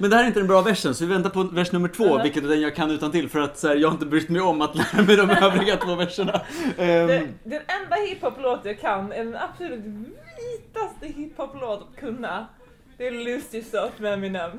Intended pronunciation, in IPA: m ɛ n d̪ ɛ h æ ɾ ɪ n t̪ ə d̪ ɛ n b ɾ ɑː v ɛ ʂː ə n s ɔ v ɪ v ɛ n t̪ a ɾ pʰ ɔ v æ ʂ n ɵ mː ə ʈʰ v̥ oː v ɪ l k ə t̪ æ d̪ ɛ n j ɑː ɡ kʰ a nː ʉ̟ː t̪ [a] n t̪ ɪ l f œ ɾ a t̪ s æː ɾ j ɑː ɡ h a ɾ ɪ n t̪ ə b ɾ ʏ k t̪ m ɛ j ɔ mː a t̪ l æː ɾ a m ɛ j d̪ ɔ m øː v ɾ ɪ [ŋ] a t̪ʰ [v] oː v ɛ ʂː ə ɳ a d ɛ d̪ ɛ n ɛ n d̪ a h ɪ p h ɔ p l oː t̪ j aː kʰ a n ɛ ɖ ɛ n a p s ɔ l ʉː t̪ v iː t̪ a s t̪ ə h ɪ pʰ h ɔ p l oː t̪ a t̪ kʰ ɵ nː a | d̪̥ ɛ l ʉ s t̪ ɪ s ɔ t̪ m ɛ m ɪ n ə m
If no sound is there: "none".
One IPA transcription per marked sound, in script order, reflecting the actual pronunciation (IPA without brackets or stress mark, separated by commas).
a, ɡ, v